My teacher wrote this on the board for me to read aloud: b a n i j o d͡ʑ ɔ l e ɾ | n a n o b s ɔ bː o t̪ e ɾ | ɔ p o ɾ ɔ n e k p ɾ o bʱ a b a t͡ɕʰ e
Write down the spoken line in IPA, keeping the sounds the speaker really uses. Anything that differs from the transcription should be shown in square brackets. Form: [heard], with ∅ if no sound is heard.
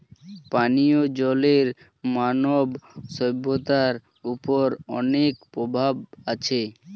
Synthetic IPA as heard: [p] a n i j o d͡ʑ ɔ l e ɾ | [m] a n o b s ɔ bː o t̪ [a] ɾ | [u] p o ɾ ɔ n e k p ɾ o bʱ a b a t͡ɕʰ e